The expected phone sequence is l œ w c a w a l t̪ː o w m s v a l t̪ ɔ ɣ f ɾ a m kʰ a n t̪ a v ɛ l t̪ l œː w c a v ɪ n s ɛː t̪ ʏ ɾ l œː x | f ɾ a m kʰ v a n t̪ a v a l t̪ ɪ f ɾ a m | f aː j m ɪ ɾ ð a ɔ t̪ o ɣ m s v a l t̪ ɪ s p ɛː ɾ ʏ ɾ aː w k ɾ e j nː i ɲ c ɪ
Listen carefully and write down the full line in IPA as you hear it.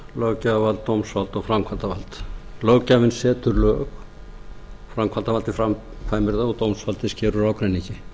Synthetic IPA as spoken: l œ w c a v a l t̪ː o w m s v a l t̪ ɔ ɣ f ɾ a m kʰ a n t̪ a v a l t̪ l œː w c a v ɪ n s ɛː t̪ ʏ ɾ l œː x | f ɾ a m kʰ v a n t̪ a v a l t̪ ɪ f ɾ a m | f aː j m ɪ ɾ ð a ɔ t̪ o w m s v a l t̪ ɪ s c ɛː ɾ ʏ ɾ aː w k ɾ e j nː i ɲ c ɪ

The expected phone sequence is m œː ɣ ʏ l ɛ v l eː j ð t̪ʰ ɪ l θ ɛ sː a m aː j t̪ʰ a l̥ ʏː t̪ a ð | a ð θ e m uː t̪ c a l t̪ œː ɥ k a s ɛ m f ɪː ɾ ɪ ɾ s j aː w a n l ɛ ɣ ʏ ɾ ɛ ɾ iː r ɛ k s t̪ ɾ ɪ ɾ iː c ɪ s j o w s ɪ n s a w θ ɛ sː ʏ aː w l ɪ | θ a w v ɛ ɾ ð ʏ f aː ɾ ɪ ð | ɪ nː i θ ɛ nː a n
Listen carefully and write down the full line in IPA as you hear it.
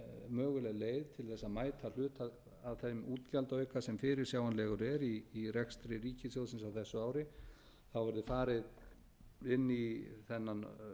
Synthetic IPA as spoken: m œː ɣ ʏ l ɛ ɣ l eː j ð t̪ʰ ɪ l θ ɛ sː a m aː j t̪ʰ a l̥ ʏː t̪ a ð | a ð θ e m uː t̪ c a l t̪ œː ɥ k a s ɛ m f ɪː ɾ ɪ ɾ s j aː w a n l ɛ ɣ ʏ ɾ ɛ ɾ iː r ɛ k s t̪ ɾ ɪ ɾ iː c ɪ s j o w s ɪ n s a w θ ɛ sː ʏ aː w ɾ ɪ | θ a w v ɛ ɾ ð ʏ f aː ɾ ɪ ð | ɪ nː i θ ɛ nː a n

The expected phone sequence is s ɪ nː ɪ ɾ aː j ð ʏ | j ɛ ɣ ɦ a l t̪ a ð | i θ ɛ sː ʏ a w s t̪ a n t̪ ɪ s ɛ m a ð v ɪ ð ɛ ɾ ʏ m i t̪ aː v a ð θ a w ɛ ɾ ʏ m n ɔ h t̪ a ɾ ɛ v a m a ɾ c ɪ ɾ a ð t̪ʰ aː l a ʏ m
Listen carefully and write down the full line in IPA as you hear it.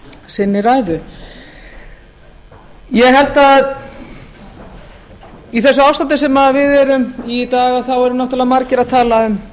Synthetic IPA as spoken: s ɪ nː ɪ ɾ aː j ð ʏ | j ɛ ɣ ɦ ɛ l t̪ a ð | i θ ɛ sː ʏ a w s t̪ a n t̪ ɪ s ɛ m a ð v ɪ ð ɛ ɾ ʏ m i t̪ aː ɣ a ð θ a w ɛ ɾ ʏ m n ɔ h t̪ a l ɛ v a m a ɾ c ɪ ɾ a ð t̪ʰ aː l a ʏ m

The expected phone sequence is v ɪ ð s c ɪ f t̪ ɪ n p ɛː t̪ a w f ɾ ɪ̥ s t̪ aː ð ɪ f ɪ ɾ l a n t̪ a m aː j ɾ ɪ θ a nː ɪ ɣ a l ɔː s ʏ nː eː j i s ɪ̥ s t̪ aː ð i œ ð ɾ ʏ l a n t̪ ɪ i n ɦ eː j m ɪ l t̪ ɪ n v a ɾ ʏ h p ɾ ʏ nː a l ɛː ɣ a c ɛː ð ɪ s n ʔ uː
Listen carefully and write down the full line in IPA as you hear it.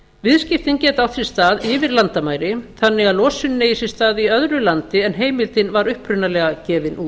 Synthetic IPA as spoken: v ɪ ð s c ɪ f t̪ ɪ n c ɛː t̪ a w θ ɾ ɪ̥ s t̪ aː ð ɪ v ɪ ɾ l a n t̪ a m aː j ɾ ɪ θ a nː ɪ ɣ a l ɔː s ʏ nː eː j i s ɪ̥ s t̪ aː ð i œ ð ɾ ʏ l a n t̪ ɪ ɛ n ɦ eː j m ɪ l t̪ ɪ n v a ɾ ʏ h p ɾ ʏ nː a l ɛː ɣ a c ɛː v ɪ n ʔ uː

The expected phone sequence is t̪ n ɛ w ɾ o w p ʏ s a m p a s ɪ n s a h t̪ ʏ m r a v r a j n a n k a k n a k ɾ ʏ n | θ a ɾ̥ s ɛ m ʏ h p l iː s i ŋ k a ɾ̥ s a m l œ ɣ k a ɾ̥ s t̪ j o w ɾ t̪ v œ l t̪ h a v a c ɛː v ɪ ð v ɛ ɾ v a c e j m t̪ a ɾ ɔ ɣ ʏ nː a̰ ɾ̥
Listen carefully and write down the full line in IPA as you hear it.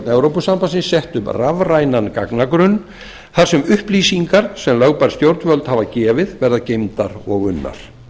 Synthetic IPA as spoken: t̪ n ɛ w ɾ o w p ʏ s a m p a s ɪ n s ɛ h t̪ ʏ m r a v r a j n a n k a k n a k ɾ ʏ n | θ a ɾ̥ s ɛ m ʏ h p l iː s i ŋ k a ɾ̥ s ɛ m l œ ɣ p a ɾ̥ s t̪ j o w ɾ t̪ v œ l t̪ h a v a c ɛː v ɪ ð v ɛ ɾ ð a c e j m t̪ a ɾ ɔ ɣ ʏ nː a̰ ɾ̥

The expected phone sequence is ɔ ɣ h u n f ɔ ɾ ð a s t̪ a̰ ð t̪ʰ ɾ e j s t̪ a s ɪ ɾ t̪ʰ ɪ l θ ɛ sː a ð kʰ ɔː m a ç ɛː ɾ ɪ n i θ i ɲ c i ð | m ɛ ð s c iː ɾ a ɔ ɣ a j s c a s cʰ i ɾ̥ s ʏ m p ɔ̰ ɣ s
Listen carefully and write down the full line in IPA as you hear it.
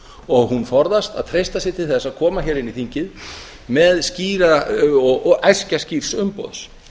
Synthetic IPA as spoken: ɔ ɣ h u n f ɔ ɾ ð a s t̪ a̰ ð t̪ʰ ɾ e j s t̪ a s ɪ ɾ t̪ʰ ɪ l θ ɛ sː a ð kʰ ɔː m a ç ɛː ɾ ɪ n i θ i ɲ c ɪ ð | m ɛ ð s c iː ɾ a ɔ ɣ a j s c a s c i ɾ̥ s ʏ m p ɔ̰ ð s

